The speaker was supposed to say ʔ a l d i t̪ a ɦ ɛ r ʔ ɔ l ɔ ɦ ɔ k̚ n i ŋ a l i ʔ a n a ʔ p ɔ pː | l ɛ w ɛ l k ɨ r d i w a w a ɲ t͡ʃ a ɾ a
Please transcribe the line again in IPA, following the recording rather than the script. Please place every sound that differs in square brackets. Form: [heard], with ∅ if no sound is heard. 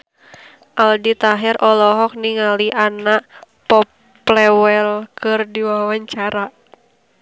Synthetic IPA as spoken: ʔ a l d i t̪ a ɦ ɛ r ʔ ɔ l ɔ ɦ ɔ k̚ n i ŋ a l i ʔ a n a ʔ p ɔ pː | l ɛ w ɛ l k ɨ r d i w a w a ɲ t͡ʃ a ɾ a

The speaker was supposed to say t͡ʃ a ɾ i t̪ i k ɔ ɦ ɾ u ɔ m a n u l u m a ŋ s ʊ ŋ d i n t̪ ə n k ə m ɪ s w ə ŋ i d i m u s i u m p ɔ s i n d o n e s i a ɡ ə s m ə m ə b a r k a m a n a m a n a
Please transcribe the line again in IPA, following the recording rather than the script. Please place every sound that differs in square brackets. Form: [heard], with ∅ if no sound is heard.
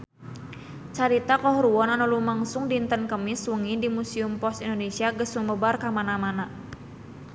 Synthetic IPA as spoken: t͡ʃ a ɾ i t̪ [a] k ɔ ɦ ɾ u ɔ [n] a n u l u m a ŋ s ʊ ŋ d i n t̪ ə n k ə m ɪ s w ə ŋ i d i m u s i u m p ɔ s i n d o n e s i a ɡ ə s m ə m ə b a r k a m a n a m a n a

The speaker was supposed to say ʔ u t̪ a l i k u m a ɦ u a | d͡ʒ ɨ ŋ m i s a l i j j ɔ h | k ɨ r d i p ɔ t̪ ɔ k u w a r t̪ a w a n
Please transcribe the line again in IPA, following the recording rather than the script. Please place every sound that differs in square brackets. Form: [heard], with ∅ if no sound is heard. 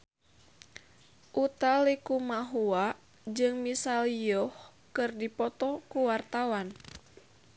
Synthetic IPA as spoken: ʔ u t̪ a l i k u m a ɦ u a | d͡ʒ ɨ ŋ m i s a l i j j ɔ h | k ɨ r d i p ɔ t̪ ɔ k u w a r t̪ a w a n

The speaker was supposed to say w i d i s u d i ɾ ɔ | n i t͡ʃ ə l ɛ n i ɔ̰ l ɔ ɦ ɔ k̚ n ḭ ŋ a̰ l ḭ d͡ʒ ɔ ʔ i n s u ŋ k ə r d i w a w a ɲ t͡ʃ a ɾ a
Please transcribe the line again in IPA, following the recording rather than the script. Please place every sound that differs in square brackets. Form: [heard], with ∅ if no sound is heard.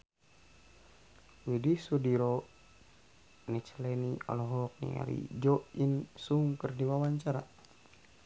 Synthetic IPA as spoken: w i d i s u d i ɾ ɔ | n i t͡ʃ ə l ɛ n i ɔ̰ l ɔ ɦ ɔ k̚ n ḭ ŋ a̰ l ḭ d͡ʒ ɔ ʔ i n s u ŋ k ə r d i w a w a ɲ t͡ʃ a ɾ a

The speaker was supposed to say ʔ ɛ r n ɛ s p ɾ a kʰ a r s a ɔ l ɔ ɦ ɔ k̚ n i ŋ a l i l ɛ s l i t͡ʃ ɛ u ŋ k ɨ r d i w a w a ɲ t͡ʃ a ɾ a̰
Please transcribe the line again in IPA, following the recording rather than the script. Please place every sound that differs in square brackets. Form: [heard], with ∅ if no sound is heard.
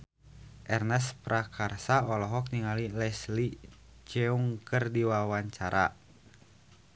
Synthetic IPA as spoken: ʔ ɛ r n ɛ s p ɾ a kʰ a r s a ɔ l ɔ ɦ ɔ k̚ n i ŋ a l i l ɛ s l i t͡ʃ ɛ u ŋ k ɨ r d i w a w a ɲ t͡ʃ a ɾ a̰

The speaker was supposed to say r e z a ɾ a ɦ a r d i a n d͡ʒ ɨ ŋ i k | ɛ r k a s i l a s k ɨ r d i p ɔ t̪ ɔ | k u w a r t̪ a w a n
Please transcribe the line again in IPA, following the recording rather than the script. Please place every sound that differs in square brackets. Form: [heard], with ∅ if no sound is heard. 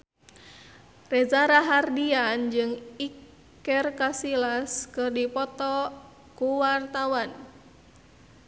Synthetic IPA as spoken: r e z a ɾ a ɦ a r d i a n d͡ʒ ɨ ŋ i k | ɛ r k a s i l a s k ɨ r d i p ɔ t̪ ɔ | k u w a r t̪ a w a n

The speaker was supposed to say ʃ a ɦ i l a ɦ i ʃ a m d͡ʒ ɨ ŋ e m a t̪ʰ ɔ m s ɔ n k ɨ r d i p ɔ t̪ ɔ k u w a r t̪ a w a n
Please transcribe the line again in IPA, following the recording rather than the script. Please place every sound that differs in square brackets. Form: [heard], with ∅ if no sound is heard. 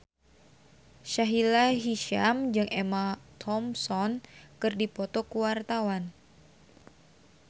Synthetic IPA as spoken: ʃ a ɦ i l a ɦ i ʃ a m d͡ʒ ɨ ŋ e m a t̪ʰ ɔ m s ɔ n k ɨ r d i p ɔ t̪ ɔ k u w a r t̪ a w a n

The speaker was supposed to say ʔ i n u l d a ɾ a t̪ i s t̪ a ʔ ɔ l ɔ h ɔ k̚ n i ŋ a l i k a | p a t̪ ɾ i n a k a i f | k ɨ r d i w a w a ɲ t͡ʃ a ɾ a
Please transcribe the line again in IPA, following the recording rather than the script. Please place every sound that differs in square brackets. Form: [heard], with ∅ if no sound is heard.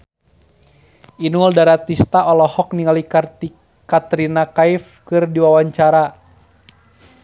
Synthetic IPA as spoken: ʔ i n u l d a ɾ a t̪ i s t̪ a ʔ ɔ l ɔ h ɔ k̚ n i ŋ a l i k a | [k] a t̪ ɾ i n a k a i f | k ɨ r d i w a w a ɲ t͡ʃ a ɾ a

